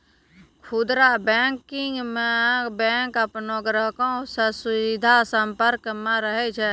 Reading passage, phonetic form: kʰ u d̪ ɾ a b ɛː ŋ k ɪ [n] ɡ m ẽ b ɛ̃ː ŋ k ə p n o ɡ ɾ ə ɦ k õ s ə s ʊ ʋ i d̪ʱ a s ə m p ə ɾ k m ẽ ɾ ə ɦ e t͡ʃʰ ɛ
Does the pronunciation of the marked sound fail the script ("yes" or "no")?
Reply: yes